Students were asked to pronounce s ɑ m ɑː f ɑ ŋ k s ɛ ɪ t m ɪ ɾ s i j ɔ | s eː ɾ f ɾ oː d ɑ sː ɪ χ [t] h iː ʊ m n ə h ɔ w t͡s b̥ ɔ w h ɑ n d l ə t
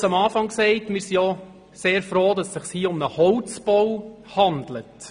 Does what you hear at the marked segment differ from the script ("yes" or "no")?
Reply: yes